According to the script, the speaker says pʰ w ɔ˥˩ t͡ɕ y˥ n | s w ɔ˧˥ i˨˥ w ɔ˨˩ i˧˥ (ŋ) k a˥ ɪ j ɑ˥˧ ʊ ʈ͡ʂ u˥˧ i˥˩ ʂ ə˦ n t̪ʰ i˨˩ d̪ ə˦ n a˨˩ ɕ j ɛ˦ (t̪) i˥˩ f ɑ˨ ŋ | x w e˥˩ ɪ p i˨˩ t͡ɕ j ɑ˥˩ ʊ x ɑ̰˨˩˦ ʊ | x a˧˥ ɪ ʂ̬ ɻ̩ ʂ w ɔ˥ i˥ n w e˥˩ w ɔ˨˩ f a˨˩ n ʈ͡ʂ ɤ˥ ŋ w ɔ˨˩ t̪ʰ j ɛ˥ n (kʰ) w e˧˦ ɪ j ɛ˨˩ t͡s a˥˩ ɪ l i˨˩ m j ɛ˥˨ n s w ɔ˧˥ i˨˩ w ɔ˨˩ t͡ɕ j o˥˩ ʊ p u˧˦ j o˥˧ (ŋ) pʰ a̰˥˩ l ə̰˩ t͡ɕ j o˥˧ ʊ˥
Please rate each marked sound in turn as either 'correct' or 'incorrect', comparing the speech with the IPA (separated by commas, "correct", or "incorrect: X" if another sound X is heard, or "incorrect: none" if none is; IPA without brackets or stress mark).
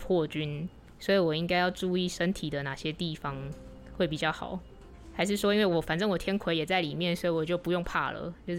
correct, correct, correct, correct